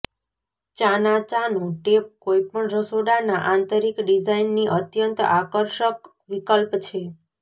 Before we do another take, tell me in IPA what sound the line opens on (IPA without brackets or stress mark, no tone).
t͡ʃ